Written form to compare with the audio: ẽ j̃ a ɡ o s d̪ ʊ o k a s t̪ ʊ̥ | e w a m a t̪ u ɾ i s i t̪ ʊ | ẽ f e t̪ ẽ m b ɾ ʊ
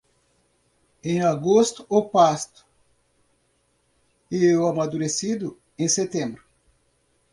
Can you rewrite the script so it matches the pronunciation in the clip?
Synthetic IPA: ẽ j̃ a ɡ o s t̪ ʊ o p a s t̪ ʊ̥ | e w a m a d̪ u ɾ e s i d̪ ʊ | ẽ s e t̪ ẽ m b ɾ ʊ